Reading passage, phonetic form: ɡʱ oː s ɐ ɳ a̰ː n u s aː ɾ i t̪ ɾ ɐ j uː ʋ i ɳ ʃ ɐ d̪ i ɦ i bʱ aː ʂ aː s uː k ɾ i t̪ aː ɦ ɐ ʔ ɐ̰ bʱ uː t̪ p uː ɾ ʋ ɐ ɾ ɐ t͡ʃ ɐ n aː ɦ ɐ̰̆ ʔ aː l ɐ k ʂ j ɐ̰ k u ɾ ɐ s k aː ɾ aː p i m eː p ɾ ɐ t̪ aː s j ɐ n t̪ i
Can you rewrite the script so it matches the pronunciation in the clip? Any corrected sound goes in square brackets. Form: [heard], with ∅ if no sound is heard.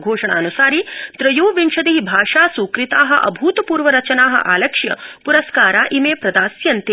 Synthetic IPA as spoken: ɡʱ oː [ʂ] ɐ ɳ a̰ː n u s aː ɾ i t̪ ɾ ɐ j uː ʋ i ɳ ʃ ɐ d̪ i ɦ i bʱ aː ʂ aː s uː k ɾ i t̪ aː ɦ ɐ ʔ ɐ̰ bʱ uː t̪ p uː ɾ ʋ ɐ ɾ ɐ t͡ʃ ɐ n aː ɦ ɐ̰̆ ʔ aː l ɐ k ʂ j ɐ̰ [p] u ɾ ɐ s k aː ɾ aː [ʔ] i m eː p ɾ ɐ [d̪] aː s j ɐ n t̪ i

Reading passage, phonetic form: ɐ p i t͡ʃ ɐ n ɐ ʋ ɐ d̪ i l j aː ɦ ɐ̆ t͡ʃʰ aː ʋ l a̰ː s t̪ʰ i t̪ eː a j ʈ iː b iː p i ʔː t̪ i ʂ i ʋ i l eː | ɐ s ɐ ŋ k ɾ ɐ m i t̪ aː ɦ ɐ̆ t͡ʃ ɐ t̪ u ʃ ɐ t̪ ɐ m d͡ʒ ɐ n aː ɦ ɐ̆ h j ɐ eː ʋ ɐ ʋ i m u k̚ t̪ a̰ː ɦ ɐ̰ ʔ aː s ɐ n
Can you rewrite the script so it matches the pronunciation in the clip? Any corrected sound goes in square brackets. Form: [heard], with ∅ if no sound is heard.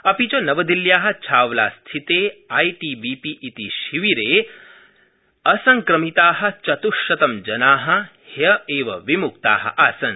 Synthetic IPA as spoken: ɐ p i t͡ʃ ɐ n ɐ ʋ ɐ d̪ i l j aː ɦ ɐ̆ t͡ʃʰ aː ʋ l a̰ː s t̪ʰ i t̪ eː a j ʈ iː b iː p i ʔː t̪ i [ʃ] i ʋ i [ɾ] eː | ɐ s ɐ ŋ k ɾ ɐ m i t̪ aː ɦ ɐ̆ t͡ʃ ɐ t̪ u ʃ ɐ t̪ ɐ m d͡ʒ ɐ n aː ɦ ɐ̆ h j ɐ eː ʋ ɐ ʋ i m u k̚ t̪ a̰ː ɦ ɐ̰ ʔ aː s ɐ n

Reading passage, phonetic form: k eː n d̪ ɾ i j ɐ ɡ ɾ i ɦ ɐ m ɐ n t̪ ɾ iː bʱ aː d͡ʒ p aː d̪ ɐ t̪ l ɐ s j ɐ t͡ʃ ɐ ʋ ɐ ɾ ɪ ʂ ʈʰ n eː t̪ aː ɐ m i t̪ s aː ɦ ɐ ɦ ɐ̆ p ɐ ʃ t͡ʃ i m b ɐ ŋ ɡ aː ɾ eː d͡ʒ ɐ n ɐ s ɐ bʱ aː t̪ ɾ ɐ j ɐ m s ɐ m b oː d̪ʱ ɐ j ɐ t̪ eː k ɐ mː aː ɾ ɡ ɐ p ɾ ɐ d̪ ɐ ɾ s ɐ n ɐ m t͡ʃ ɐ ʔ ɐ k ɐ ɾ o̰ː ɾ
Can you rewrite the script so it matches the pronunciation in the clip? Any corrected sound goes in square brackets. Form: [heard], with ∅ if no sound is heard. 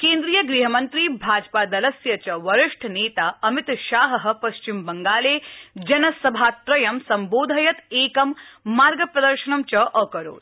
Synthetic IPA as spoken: k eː n d̪ ɾ i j ɐ ɡ ɾ i ɦ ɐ m ɐ n t̪ ɾ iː bʱ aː d͡ʒ p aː d̪ ɐ [∅] l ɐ s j ɐ t͡ʃ ɐ ʋ ɐ ɾ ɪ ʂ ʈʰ n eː t̪ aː ɐ m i t̪ [ʃ] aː ɦ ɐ ɦ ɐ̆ p ɐ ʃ t͡ʃ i m b ɐ ŋ ɡ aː [l] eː d͡ʒ ɐ n ɐ s ɐ bʱ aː t̪ ɾ ɐ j ɐ m s ɐ m b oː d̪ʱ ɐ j ɐ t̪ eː k ɐ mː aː ɾ ɡ ɐ p ɾ ɐ d̪ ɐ ɾ [ʃ] ɐ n ɐ m t͡ʃ ɐ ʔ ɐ k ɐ ɾ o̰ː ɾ

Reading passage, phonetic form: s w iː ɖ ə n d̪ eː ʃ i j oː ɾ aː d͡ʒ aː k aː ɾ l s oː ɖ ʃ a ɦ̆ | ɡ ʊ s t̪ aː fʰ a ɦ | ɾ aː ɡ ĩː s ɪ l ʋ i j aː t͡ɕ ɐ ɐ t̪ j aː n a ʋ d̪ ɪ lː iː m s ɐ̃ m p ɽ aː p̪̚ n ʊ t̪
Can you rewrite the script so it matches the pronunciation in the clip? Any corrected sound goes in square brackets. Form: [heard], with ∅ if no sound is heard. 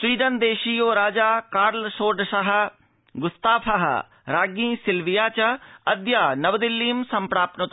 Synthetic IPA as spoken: s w iː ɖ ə n d̪ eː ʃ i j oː ɾ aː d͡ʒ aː k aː ɾ l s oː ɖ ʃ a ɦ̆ | ɡ ʊ s t̪ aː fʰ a ɦ | ɾ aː ɡ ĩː s ɪ l ʋ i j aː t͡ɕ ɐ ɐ [d̪] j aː n [ɐ] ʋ d̪ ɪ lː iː m s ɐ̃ m p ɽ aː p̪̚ n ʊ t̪

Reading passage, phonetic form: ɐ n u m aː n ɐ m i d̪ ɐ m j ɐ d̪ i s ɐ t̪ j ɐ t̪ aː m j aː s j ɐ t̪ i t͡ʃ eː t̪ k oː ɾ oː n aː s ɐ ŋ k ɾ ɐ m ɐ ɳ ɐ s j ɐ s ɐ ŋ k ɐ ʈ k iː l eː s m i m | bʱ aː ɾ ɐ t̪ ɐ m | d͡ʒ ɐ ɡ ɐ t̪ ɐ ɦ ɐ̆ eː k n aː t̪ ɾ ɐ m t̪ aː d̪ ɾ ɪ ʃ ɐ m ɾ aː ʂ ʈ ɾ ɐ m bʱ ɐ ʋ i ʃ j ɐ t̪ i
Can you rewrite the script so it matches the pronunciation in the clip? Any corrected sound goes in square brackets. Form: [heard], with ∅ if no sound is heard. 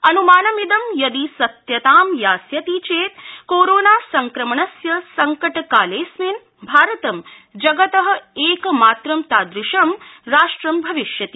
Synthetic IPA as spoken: ɐ n u m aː n ɐ m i d̪ ɐ m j ɐ d̪ i s ɐ t̪ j ɐ t̪ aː m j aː s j ɐ t̪ i t͡ʃ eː t̪ k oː ɾ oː n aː s ɐ ŋ k ɾ ɐ m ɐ ɳ ɐ s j ɐ s ɐ ŋ k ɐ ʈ k [aː] l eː s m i [n] | bʱ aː ɾ ɐ t̪ ɐ m | d͡ʒ ɐ ɡ ɐ t̪ ɐ ɦ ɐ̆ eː k [m] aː t̪ ɾ ɐ m t̪ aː d̪ ɾ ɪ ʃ ɐ m ɾ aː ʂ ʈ ɾ ɐ m bʱ ɐ ʋ i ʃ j ɐ t̪ i

